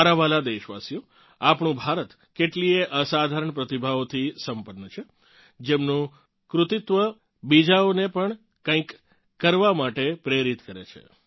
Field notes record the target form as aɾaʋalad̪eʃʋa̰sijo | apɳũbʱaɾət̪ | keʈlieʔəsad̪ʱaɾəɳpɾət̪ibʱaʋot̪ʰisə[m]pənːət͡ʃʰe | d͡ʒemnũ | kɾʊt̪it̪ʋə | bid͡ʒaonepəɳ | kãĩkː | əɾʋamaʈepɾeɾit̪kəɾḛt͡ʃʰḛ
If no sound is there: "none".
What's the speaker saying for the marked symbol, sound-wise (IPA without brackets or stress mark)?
m